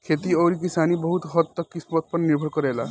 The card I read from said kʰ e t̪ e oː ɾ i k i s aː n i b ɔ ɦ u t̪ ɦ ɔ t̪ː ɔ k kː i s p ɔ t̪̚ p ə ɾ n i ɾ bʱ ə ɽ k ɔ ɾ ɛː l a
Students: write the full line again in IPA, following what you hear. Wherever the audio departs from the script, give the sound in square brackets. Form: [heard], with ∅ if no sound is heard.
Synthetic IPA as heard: kʰ e t̪ [i] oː ɾ i k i s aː n i b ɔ ɦ u t̪ ɦ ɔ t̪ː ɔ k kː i s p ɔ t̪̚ p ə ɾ n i ɾ bʱ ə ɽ k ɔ ɾ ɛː l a